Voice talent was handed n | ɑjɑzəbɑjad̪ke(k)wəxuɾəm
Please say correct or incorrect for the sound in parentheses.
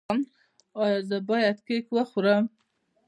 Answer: correct